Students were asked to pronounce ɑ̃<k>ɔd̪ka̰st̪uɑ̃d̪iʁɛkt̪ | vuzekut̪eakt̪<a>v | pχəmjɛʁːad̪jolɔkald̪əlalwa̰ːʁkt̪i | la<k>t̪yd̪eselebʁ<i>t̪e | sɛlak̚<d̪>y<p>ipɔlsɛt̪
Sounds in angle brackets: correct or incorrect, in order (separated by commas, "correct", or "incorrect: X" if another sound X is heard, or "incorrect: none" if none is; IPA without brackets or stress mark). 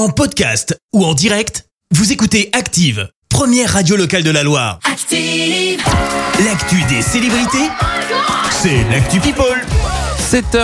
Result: incorrect: p, incorrect: i, correct, correct, incorrect: t̪, correct